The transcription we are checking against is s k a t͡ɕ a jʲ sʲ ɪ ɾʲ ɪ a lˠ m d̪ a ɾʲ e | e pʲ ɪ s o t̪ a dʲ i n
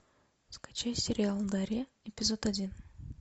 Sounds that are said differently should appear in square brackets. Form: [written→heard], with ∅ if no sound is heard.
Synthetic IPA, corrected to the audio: s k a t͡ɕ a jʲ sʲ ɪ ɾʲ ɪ a lˠ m d̪ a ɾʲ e | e pʲ ɪ [s→z] o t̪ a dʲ i n